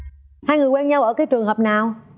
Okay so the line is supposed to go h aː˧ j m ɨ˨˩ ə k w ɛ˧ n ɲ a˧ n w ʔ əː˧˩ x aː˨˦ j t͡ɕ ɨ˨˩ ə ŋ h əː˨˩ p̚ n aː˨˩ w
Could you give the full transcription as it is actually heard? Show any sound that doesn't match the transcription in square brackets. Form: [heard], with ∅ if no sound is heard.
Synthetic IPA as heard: h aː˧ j [ŋ] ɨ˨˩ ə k w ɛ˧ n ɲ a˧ [∅] w ʔ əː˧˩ [k] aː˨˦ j t͡ɕ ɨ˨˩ ə ŋ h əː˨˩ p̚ n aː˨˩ w